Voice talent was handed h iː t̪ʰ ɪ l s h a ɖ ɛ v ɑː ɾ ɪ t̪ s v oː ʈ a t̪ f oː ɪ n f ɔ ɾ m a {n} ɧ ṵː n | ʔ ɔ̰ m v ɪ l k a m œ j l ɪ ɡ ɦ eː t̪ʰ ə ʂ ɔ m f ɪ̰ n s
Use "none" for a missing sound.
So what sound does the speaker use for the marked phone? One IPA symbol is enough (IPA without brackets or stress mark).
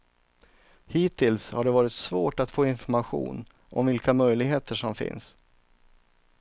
none